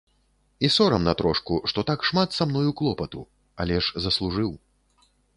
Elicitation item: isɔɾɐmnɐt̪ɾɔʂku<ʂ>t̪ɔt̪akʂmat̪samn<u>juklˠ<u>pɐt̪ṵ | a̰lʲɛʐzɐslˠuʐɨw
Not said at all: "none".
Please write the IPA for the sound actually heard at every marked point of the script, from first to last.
ʂ, ɔ, ɔ

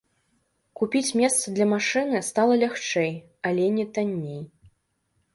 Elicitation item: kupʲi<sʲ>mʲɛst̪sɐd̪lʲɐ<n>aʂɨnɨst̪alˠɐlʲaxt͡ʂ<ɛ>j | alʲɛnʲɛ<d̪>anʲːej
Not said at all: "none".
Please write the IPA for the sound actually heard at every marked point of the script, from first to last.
t͡sʲ, m, ɛ, t̪

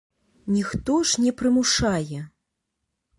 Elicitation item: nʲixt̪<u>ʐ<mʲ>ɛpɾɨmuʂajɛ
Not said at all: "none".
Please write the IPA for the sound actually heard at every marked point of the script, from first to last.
ɔ, nʲ

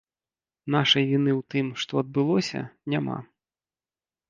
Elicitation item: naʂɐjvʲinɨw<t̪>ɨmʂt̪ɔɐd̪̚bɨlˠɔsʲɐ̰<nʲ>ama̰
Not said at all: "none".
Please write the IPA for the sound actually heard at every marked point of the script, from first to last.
t̪, nʲ

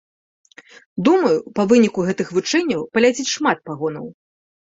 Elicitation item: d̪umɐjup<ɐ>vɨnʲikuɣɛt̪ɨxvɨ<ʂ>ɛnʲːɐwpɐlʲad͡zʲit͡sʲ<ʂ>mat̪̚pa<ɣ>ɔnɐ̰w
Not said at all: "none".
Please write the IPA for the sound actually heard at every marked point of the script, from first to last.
ɐ, t͡ʂ, ʂ, ɣ

